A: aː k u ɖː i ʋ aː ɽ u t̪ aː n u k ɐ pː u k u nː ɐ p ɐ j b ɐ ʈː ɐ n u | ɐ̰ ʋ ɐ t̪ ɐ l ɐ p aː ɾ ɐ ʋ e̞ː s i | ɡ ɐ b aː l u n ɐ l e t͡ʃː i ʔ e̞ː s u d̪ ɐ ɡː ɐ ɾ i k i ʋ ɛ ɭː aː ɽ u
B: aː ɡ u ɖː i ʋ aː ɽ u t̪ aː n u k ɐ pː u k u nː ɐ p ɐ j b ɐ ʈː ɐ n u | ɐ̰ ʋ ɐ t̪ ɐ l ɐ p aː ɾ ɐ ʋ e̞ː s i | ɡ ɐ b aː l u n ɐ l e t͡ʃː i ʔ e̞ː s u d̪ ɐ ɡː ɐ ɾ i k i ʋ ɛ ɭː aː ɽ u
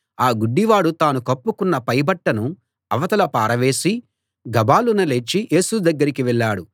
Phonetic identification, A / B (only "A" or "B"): B